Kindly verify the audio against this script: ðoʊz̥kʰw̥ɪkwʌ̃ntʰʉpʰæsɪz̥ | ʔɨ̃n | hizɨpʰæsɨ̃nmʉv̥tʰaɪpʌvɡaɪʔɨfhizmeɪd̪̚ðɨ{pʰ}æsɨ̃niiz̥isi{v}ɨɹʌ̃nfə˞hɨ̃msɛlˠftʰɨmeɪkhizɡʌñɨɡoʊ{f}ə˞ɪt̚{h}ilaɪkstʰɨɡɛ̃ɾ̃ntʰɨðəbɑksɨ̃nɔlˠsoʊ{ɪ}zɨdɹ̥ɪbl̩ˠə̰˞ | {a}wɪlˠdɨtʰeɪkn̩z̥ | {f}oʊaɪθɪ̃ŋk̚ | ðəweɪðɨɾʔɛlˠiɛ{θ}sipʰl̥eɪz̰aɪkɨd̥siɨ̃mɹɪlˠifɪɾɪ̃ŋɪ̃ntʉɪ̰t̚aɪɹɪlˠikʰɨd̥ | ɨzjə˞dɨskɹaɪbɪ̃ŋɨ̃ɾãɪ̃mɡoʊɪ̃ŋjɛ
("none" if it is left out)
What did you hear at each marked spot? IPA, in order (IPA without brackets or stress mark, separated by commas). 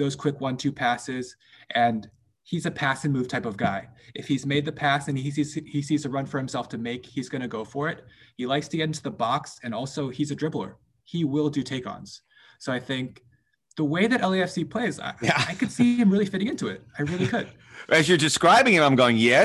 pʰ, z, f, h, i, i, s, f